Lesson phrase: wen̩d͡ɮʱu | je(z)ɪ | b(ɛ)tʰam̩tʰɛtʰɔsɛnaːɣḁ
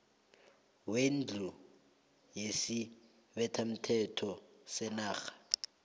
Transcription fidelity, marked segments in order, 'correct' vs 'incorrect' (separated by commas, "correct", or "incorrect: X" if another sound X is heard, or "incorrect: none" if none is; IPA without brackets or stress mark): incorrect: s, correct